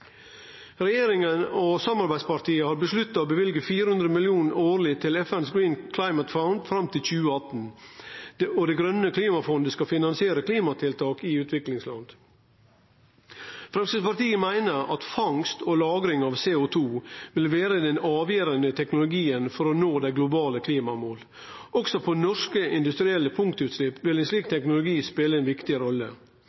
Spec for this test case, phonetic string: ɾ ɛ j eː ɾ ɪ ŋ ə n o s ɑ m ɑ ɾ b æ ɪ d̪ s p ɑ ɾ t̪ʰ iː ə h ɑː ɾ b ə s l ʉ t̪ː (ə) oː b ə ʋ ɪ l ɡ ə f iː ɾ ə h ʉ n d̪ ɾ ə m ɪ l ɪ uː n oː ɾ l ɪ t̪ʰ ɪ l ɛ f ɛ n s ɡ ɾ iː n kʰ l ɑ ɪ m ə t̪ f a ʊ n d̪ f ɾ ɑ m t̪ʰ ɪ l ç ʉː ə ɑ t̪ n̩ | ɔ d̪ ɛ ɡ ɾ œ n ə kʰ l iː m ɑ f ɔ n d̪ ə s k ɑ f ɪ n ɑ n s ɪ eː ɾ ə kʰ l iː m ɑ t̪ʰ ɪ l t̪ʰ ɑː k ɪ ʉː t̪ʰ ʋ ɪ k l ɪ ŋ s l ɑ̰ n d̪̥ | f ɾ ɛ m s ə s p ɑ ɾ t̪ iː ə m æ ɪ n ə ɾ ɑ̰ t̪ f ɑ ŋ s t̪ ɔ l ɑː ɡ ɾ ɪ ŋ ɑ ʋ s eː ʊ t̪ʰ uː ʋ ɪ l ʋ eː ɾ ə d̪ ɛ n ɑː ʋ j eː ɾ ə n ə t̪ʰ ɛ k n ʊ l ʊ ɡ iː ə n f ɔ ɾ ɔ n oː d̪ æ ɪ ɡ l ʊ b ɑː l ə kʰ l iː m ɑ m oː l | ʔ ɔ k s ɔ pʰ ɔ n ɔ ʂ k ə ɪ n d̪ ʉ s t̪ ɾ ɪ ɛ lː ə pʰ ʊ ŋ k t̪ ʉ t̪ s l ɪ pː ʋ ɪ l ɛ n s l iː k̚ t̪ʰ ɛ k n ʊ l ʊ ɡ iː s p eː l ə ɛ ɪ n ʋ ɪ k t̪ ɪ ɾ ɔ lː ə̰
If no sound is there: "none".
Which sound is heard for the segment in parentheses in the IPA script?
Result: ɑ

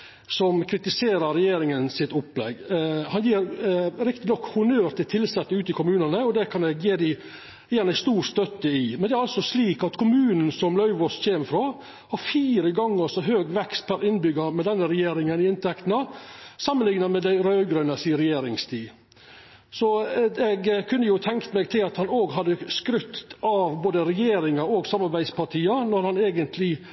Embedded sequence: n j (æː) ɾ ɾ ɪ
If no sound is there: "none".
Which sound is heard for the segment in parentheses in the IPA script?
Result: iː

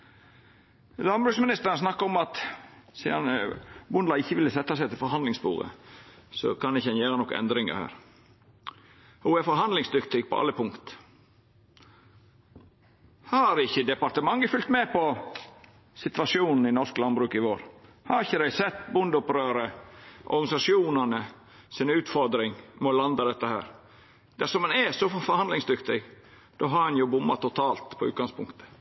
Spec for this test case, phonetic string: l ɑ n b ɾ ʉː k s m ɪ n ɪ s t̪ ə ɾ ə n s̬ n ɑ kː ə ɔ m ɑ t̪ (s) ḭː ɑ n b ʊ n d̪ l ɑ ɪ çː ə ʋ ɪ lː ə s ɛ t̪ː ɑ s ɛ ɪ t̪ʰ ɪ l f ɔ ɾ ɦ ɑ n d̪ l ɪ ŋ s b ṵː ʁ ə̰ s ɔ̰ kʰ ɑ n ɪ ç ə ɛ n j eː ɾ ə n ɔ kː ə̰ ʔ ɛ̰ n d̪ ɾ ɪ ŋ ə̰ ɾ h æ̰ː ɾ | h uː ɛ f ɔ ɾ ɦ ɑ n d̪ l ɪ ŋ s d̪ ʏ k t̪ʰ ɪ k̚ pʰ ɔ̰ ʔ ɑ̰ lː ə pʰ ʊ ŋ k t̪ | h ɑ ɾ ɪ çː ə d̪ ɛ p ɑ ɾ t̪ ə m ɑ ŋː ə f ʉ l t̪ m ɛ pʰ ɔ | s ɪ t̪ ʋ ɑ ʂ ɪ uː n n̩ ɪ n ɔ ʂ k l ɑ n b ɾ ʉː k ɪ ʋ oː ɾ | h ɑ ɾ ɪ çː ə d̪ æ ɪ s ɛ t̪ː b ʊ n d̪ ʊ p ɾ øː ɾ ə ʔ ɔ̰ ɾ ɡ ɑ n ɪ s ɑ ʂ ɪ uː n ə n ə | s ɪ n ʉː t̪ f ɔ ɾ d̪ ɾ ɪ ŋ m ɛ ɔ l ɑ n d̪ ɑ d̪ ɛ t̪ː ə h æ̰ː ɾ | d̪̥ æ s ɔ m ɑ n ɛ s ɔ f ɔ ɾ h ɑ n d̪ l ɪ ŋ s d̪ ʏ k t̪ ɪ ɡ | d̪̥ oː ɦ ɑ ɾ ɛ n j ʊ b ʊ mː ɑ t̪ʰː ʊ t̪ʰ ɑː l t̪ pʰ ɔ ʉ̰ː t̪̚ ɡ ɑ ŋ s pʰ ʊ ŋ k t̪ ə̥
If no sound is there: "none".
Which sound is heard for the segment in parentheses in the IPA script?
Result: s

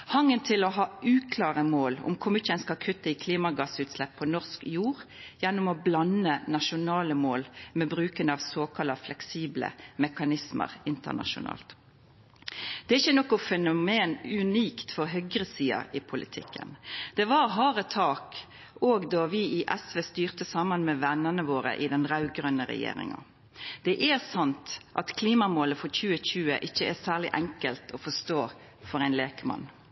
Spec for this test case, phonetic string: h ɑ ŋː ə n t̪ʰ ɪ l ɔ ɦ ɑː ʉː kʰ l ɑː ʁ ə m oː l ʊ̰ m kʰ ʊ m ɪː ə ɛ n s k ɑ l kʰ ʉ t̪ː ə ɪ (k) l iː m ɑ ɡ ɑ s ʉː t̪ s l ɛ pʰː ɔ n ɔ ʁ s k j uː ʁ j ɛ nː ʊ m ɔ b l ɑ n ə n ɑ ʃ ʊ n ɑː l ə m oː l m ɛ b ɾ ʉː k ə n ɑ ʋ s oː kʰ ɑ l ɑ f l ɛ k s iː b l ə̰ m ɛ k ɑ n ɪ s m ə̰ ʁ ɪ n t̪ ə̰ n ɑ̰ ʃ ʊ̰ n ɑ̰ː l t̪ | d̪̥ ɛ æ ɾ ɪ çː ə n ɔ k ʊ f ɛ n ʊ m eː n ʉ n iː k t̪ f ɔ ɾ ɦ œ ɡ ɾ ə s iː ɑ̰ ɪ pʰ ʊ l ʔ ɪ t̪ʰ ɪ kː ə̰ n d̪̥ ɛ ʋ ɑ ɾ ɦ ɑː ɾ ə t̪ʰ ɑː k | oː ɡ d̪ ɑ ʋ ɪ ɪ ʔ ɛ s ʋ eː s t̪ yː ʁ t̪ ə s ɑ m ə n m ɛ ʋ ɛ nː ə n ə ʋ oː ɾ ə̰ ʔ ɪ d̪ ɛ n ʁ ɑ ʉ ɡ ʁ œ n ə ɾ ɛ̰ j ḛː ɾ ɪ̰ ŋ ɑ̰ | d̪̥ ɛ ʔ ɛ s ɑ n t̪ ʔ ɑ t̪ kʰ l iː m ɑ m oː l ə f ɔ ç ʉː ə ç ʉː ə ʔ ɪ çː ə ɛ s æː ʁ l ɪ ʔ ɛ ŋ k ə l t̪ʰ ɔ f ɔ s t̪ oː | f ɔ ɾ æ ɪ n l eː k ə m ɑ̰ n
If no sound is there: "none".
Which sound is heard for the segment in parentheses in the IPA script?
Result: kʰ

